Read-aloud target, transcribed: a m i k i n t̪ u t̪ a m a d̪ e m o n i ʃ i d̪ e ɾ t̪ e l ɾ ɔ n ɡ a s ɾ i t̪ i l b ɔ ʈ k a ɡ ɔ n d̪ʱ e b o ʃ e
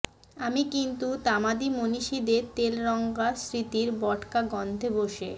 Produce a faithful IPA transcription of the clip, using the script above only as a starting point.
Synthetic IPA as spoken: a m i k i n t̪ u t̪ a m a d̪ i m o n i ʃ i d̪ e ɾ t̪ e l ɾ ɔ ŋ ɡ a s ɾ i t̪ i ɾ b ɔ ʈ k a ɡ ɔ n d̪ʱ e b o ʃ e